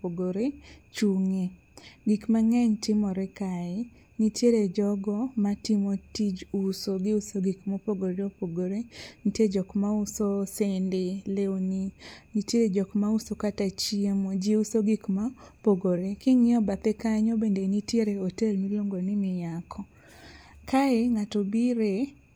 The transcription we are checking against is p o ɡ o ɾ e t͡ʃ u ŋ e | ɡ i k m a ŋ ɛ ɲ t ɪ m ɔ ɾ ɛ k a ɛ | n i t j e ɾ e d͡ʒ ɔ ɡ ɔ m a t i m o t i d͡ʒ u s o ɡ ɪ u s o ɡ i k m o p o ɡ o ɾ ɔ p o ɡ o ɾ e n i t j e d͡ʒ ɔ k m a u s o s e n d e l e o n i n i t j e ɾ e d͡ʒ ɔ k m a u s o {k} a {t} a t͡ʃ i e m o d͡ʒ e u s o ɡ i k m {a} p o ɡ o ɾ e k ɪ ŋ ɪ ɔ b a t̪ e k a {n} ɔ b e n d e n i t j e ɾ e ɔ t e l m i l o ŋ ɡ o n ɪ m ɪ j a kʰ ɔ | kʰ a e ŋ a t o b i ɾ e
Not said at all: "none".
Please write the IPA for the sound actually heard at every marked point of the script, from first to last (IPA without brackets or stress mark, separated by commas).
k, t, a, ɲ